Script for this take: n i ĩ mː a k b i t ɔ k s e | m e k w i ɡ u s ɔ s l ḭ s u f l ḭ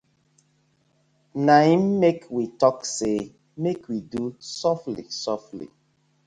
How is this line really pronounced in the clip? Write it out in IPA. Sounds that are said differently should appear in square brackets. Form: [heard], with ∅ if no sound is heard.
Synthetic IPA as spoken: n [a] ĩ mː [e] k [w] i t ɔ k s e | m e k w i [d] u s ɔ [f] l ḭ s [ɔ] f l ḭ

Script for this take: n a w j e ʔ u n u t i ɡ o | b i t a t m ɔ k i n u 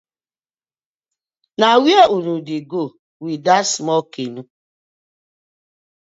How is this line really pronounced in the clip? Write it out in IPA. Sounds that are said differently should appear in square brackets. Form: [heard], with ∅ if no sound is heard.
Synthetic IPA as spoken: n a w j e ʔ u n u [d] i ɡ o | [w] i [d] a [s] m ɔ k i n u

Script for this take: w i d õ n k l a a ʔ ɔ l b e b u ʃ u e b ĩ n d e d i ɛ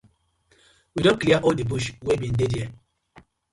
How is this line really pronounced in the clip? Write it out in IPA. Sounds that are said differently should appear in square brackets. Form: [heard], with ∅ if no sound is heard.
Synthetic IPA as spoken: w i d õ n k l [i] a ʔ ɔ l [d] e b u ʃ [w] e b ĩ n d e d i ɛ

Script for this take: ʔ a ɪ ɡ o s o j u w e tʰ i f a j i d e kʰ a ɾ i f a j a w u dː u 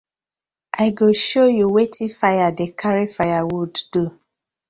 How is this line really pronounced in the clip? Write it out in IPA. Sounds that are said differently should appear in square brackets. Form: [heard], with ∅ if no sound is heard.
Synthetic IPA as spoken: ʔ a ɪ ɡ o [ʃ] o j u w e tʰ i f a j [a] d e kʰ a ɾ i f a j a w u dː u

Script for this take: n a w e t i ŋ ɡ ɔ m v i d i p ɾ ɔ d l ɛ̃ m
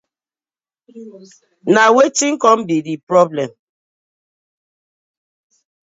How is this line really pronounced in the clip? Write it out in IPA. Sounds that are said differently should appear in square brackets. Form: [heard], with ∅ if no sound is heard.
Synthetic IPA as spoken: n a w e t i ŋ [k] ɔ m [b] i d i p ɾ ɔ [b] l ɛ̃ m

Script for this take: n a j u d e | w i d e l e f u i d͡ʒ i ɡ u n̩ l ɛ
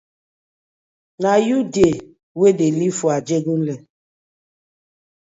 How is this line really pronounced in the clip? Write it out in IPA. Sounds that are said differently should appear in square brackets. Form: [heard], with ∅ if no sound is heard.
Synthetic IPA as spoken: n a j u d e | w [e] d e l [i] f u [a] d͡ʒ [e] ɡ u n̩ l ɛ

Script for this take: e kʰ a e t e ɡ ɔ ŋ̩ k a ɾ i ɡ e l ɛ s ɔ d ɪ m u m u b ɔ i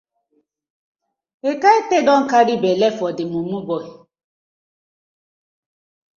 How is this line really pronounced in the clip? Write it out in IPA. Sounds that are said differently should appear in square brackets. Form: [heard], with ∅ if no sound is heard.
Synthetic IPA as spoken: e [k] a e t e [d] ɔ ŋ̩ k a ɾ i [b] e l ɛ [f] ɔ d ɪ m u m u b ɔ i

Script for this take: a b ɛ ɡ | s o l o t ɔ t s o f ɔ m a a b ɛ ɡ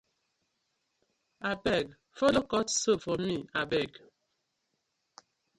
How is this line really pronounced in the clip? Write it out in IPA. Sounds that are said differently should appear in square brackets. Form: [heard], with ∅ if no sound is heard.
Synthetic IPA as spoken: a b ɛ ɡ | [f] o l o [k] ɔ t s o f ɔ m [i] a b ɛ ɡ

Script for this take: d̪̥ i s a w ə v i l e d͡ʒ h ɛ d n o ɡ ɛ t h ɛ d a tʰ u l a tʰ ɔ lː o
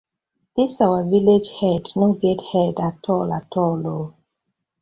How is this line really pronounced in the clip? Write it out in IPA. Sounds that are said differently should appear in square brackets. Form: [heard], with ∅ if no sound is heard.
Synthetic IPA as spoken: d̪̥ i s a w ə v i l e d͡ʒ h ɛ d n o ɡ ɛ t h ɛ d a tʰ [ɔ] l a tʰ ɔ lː o

